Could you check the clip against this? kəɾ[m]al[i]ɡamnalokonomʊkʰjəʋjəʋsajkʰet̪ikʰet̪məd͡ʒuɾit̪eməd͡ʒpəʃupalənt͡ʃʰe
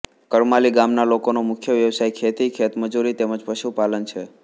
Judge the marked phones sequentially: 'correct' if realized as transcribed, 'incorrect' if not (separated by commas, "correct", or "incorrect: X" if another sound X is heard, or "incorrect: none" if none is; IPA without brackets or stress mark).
correct, correct